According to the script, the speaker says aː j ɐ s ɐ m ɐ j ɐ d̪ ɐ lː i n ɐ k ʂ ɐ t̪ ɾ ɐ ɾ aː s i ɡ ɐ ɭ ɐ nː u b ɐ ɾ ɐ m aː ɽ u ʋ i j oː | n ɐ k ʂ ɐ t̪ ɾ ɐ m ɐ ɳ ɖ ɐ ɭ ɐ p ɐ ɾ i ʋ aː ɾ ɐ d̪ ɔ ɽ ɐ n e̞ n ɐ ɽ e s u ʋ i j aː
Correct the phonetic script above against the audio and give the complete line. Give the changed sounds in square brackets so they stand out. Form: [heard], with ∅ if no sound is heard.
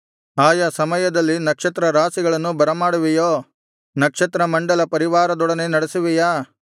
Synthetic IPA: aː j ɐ s ɐ m ɐ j ɐ d̪ ɐ lː i n ɐ k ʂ ɐ t̪ ɾ ɐ ɾ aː s i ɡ ɐ ɭ ɐ nː u b ɐ ɾ ɐ m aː ɽ u ʋ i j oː | n ɐ k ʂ ɐ t̪ ɾ ɐ m ɐ ɳ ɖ ɐ [l] ɐ p ɐ ɾ i ʋ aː ɾ ɐ d̪ ɔ ɽ ɐ n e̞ n ɐ ɽ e s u ʋ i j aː